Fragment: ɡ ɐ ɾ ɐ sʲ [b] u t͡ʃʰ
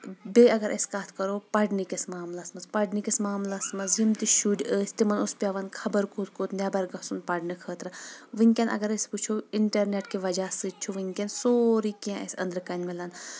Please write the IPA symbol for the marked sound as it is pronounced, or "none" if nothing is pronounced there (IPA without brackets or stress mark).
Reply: p